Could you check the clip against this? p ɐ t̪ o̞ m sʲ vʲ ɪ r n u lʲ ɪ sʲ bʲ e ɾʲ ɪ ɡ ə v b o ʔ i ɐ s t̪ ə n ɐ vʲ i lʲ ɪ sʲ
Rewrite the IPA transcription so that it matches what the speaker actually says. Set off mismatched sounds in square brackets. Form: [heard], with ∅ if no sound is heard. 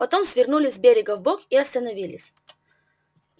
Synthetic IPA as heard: p ɐ t̪ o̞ m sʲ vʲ ɪ r n u lʲ ɪ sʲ bʲ e ɾʲ ɪ ɡ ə v b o [k] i ɐ s t̪ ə n ɐ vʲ i lʲ ɪ sʲ